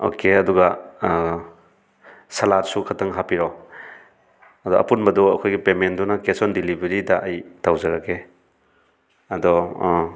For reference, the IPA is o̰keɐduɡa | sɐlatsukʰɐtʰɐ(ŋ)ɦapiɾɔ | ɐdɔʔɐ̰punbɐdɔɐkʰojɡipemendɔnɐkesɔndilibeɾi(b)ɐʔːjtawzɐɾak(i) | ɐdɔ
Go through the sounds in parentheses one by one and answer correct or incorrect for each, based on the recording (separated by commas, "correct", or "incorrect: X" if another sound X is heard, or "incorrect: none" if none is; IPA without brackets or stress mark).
correct, incorrect: d, incorrect: e